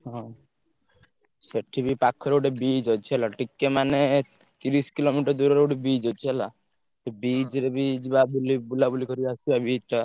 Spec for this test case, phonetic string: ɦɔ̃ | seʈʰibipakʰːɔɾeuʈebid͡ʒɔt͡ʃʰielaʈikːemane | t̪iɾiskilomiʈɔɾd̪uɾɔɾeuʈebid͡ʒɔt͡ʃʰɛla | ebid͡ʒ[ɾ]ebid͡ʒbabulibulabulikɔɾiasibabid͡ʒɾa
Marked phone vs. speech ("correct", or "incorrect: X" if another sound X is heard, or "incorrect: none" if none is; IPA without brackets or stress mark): correct